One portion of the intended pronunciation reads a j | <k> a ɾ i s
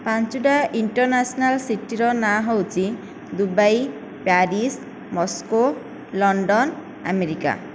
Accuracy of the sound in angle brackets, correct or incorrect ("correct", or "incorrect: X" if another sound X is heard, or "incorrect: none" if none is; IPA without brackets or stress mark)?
incorrect: p